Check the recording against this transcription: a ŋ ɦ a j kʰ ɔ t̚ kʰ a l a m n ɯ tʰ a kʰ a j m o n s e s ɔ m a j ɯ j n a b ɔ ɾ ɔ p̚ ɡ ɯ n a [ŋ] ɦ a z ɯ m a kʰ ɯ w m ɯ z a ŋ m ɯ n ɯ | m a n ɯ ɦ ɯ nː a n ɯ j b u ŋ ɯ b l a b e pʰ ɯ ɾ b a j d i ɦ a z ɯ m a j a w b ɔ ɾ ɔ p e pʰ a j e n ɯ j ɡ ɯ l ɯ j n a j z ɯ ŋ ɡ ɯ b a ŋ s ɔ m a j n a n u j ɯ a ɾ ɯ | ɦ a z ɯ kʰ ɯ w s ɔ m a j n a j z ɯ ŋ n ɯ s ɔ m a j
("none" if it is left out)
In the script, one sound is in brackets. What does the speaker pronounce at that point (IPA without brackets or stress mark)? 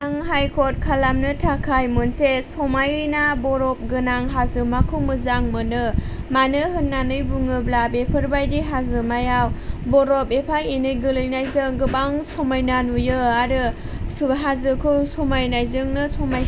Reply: ŋ